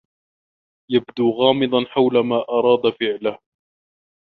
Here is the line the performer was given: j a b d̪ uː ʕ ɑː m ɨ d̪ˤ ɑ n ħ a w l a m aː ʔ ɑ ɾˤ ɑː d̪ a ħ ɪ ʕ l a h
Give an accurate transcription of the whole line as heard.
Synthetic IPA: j a b d̪ uː ɣ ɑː m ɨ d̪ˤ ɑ n ħ a w l a m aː ʔ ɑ ɾˤ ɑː d̪ a f ɪ ʕ l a h